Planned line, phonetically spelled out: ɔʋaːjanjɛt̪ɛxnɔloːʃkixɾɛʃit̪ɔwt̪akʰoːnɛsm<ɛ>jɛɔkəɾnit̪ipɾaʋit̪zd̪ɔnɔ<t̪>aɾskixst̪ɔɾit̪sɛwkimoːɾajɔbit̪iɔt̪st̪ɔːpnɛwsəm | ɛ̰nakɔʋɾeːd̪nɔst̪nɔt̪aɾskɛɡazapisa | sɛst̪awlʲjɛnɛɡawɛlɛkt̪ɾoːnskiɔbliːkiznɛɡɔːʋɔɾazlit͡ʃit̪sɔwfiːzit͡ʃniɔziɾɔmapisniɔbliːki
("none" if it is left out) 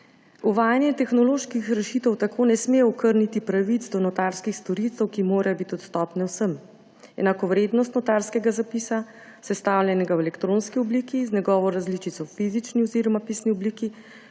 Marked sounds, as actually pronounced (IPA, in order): e, t̪

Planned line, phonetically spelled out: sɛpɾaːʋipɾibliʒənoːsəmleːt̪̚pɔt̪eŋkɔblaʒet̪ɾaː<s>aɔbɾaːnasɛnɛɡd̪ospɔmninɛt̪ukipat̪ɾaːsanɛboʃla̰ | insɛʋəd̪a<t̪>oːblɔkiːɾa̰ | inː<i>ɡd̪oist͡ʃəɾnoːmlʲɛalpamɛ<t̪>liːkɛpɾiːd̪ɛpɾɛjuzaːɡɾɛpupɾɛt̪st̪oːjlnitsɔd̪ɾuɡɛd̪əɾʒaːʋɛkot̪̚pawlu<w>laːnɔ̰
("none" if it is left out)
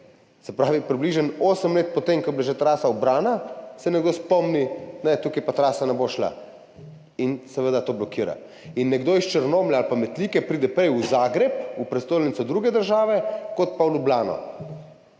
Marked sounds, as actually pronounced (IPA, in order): s, t̪, ɛ, t̪, b

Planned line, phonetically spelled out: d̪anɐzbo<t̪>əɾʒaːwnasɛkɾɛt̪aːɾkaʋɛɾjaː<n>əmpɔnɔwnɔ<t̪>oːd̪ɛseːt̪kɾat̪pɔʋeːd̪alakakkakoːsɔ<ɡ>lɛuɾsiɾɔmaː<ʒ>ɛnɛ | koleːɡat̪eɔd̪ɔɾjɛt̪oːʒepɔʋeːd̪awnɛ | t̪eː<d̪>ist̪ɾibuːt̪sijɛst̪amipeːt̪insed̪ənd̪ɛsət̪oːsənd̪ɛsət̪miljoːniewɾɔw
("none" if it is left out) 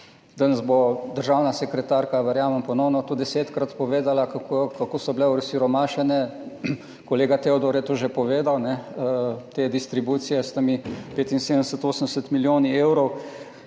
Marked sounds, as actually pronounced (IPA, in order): d̪, m, t̪, b, ʃ, d̪

